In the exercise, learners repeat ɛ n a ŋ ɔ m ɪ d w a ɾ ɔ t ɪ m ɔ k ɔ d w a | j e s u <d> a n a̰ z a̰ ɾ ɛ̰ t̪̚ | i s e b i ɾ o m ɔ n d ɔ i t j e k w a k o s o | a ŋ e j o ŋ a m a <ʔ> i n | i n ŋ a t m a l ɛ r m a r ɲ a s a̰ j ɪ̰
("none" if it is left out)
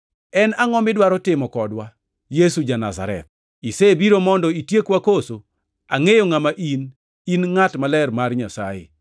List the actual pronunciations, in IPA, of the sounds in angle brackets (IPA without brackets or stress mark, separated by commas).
d͡ʒ, ʔ